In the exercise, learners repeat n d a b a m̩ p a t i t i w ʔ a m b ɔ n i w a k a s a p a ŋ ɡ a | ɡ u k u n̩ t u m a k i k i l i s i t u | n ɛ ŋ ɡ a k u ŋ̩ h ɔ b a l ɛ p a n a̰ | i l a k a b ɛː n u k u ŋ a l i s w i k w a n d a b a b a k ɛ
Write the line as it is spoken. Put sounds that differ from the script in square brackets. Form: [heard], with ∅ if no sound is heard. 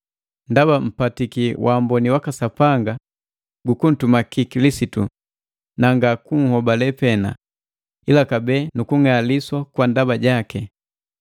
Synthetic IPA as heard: n d a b a m̩ p a t i [k] i w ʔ a m b ɔ n i w a k a s a p a ŋ ɡ a | ɡ u k u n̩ t u m a k i k i l i s i t u | n [a] ŋ ɡ a k u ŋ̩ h ɔ b a l ɛ p [ɛ] n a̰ | i l a k a b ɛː n u k u ŋ a l i s w [a] k w a n d a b a [ɟ] a k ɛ